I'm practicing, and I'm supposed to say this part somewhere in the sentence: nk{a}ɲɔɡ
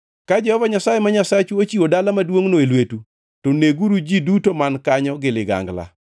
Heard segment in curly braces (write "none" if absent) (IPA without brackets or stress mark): a